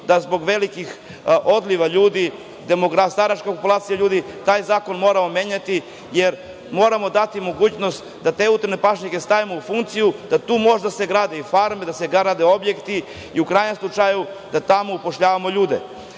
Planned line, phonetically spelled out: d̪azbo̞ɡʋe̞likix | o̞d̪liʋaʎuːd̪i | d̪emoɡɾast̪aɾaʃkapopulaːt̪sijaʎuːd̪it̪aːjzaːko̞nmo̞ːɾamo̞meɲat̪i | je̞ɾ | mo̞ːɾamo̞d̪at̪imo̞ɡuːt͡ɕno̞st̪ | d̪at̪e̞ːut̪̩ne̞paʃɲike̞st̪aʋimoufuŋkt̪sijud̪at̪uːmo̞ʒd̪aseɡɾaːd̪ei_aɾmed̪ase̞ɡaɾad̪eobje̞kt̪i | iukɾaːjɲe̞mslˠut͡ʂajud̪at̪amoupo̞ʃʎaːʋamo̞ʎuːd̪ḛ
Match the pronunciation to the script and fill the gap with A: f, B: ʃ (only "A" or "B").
A